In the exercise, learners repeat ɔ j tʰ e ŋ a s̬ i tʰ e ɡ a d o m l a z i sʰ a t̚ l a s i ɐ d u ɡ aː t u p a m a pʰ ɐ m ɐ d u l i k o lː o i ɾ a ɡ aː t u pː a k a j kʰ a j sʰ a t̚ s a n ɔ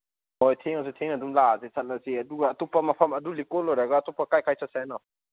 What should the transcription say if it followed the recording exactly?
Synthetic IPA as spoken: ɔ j tʰ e ŋ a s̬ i tʰ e ŋ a d u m l a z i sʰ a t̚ l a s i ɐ d u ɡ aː t u p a m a pʰ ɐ m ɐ d u l i k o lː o j ɾ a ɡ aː t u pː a k a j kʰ a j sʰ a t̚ s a n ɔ